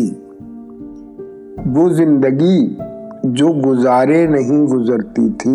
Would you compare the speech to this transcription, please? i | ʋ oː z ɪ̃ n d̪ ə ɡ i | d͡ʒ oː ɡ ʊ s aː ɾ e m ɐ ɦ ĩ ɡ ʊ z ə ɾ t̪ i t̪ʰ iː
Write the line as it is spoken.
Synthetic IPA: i | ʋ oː z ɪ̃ n d̪ ə ɡ i | d͡ʒ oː ɡ ʊ z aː ɾ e n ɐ ɦ ĩ ɡ ʊ z ə ɾ t̪ i t̪ʰ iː